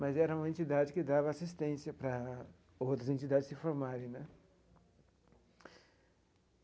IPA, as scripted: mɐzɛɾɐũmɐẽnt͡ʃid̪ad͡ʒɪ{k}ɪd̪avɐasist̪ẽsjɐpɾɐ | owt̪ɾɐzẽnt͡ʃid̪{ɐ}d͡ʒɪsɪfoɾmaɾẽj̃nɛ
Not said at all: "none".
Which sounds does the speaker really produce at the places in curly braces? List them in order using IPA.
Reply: k, a

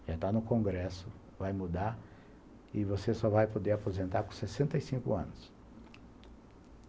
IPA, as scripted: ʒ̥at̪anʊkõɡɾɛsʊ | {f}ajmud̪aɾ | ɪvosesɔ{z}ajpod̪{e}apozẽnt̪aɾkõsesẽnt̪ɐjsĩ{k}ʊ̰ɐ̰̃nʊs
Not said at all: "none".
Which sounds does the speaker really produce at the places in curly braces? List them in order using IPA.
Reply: v, v, e, k

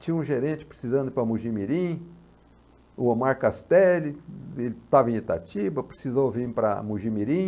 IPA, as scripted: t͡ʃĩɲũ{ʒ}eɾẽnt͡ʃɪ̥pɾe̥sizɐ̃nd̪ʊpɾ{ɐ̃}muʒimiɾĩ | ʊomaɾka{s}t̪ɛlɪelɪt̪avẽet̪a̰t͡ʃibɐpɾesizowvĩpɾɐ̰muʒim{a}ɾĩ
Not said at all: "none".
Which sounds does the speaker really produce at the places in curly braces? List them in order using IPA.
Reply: ʒ, ɐ, s, i

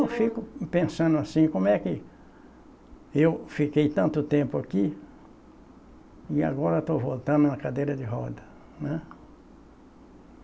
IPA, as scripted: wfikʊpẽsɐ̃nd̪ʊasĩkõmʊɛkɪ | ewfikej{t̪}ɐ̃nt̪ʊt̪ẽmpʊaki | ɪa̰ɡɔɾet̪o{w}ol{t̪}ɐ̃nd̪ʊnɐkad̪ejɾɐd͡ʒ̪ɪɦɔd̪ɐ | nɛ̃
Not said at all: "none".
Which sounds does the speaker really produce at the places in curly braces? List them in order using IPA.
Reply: t̪, v, t̪

